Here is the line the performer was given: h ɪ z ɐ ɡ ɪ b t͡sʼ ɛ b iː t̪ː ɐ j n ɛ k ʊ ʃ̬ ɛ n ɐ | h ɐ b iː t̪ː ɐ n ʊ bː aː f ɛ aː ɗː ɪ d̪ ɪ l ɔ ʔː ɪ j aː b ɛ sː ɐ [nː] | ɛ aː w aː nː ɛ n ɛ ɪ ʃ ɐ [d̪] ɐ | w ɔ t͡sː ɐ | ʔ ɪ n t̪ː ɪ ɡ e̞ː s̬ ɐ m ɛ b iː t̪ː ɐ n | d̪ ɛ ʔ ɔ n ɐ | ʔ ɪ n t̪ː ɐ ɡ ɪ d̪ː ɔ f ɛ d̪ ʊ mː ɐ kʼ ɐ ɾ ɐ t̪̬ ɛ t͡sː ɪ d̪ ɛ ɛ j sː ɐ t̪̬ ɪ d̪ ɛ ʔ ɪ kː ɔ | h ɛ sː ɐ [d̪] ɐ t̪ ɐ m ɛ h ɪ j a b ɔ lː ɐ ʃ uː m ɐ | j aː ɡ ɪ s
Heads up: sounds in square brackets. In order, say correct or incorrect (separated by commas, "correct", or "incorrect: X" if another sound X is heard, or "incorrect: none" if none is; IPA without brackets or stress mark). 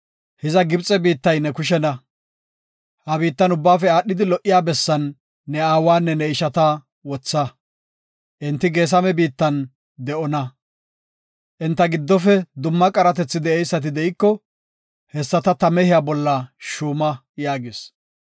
correct, incorrect: t̪, incorrect: t̪